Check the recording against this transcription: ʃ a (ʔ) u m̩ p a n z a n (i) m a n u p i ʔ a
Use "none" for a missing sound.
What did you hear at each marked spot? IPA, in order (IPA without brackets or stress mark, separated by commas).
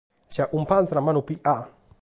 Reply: ʔ, a